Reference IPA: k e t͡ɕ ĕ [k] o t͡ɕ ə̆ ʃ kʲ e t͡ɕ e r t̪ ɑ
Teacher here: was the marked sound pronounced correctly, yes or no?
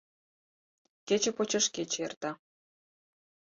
no